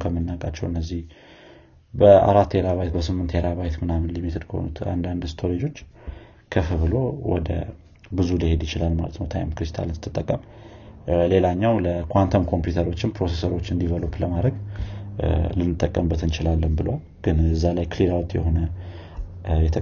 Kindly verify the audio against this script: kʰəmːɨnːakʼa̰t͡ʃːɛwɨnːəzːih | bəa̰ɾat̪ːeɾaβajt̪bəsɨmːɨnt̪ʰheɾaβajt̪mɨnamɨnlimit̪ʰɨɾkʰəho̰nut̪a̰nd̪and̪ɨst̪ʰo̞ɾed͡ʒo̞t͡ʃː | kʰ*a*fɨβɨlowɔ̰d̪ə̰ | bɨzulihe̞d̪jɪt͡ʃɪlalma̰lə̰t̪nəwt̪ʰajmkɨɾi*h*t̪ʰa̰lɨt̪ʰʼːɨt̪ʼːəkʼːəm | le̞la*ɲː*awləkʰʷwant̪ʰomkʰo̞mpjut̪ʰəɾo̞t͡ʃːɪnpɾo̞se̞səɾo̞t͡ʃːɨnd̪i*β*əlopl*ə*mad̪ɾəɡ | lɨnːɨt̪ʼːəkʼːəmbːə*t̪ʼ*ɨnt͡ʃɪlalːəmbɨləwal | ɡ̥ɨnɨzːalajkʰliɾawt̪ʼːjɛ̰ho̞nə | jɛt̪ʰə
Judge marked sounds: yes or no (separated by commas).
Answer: no, no, yes, no, yes, no